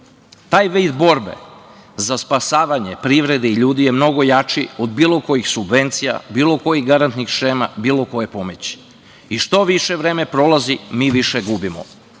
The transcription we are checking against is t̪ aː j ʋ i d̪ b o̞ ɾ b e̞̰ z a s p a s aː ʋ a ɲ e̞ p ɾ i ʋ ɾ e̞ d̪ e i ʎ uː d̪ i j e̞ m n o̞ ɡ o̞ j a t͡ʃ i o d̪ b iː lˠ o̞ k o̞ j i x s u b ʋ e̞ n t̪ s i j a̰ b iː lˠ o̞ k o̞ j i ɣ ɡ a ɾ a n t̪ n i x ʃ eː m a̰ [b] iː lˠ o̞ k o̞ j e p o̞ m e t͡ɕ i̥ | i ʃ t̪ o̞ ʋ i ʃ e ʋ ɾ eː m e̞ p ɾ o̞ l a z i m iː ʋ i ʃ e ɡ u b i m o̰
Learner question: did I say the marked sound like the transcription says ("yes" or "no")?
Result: yes